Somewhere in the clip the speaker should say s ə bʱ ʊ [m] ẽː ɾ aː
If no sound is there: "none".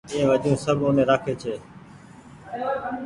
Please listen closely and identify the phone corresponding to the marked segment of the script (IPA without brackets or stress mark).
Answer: n